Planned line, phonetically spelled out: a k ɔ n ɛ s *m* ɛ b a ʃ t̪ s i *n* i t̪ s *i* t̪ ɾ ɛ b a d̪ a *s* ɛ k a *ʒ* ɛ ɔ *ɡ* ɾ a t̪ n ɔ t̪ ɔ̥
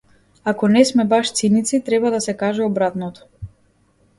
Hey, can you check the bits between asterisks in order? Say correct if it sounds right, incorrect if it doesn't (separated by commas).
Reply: correct, correct, correct, correct, correct, incorrect